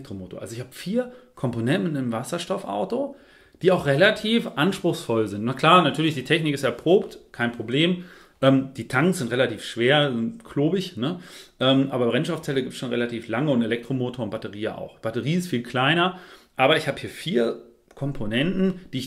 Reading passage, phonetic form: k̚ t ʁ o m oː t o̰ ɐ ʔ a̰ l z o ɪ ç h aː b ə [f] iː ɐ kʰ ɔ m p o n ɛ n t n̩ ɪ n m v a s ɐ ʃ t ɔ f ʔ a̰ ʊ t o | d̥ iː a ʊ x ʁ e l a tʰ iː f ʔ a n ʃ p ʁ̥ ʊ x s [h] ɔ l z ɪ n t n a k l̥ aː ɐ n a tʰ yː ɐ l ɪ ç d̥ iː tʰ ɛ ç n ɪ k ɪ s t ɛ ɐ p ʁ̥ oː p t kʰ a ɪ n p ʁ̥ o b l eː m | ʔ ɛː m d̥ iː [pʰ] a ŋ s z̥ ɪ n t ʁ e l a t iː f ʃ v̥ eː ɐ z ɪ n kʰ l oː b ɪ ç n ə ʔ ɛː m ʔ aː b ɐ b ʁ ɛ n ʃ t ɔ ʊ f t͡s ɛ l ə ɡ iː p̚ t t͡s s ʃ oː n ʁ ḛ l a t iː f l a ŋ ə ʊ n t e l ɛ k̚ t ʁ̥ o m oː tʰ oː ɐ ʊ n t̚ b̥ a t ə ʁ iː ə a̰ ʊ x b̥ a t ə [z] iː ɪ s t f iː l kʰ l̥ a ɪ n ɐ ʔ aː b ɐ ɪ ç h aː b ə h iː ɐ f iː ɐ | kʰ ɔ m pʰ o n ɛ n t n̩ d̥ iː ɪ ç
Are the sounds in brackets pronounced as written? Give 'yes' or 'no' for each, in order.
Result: yes, no, no, no

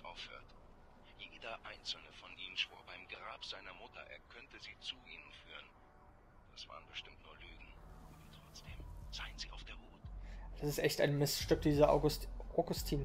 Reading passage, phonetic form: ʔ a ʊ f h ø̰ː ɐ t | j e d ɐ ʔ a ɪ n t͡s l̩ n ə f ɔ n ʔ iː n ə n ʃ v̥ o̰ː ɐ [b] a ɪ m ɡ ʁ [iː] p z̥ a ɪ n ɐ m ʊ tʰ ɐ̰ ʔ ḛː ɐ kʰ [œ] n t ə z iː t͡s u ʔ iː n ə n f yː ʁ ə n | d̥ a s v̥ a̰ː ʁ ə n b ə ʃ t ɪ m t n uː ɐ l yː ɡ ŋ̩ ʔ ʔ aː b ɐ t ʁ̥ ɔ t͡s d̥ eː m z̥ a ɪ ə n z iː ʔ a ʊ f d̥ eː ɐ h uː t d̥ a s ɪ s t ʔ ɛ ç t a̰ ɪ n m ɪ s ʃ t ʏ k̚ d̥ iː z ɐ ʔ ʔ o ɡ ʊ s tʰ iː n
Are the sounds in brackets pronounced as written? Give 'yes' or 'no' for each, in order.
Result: yes, no, yes

